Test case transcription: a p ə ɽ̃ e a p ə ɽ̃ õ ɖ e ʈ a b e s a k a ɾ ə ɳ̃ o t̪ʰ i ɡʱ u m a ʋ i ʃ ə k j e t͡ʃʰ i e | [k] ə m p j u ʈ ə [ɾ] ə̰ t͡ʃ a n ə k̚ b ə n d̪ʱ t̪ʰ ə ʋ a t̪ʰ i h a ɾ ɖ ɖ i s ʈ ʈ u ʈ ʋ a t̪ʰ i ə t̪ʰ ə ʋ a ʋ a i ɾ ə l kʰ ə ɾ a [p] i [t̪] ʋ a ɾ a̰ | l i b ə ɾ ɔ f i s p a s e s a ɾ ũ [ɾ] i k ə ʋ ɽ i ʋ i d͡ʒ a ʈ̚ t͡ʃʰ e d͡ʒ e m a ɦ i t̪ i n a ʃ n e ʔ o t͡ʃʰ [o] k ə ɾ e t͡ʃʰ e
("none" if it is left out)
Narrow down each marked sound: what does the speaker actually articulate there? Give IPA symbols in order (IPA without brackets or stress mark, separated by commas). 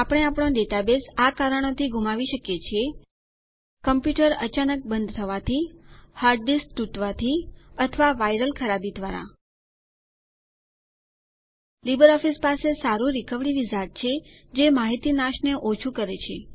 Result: k, ɾ, b, d̪, ɾ, u